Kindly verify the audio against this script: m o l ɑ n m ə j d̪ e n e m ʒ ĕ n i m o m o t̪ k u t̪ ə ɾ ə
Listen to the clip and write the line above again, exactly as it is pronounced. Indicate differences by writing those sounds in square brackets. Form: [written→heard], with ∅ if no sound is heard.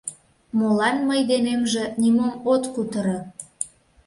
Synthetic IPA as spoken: m o l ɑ n m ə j d̪ e n e m ʒ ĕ n i m o m o t̪ k u t̪ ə ɾ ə